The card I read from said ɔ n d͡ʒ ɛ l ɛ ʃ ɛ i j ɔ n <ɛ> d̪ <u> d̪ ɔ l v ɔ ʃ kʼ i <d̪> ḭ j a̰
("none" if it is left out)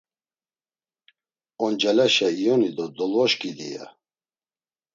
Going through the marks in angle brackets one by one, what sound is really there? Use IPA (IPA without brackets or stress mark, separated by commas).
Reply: i, ɔ, d̪